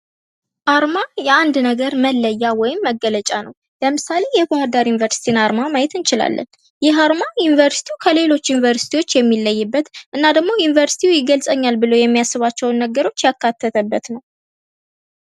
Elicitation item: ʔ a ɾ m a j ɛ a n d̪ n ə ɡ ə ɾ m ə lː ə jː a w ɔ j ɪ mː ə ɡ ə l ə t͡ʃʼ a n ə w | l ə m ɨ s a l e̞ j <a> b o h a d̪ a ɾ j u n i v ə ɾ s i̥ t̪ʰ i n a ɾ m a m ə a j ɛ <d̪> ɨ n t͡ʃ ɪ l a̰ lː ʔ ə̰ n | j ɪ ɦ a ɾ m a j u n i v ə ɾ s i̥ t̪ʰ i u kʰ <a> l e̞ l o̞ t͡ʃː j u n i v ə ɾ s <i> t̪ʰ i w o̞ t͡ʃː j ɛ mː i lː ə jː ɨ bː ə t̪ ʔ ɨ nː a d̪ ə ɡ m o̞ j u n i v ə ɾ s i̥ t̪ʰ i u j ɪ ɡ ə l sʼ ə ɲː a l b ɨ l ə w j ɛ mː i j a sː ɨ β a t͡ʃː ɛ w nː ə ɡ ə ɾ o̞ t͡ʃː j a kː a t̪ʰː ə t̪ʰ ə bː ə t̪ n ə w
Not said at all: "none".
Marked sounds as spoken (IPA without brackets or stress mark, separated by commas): ɛ, t̪, ə, i